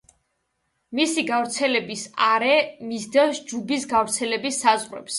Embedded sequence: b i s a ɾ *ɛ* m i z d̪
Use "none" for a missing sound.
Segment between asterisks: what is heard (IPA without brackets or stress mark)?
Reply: ɛ